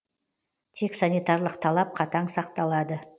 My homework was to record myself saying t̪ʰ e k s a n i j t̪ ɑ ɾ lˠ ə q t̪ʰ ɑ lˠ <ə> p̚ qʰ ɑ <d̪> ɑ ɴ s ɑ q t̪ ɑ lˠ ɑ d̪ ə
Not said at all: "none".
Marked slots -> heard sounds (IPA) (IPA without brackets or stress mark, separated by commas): ɑ, t̪